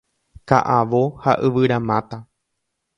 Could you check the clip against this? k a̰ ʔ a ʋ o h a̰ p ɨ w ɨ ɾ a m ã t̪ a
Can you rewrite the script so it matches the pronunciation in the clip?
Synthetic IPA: k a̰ ʔ a ʋ o h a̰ ʔ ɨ ʋ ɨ ɾ a m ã t̪ a